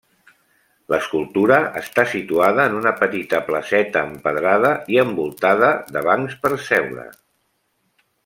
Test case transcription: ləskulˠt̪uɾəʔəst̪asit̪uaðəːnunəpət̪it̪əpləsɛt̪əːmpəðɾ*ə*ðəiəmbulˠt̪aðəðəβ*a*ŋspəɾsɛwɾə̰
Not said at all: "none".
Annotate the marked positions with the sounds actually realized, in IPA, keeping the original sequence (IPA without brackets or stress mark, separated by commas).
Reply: a, a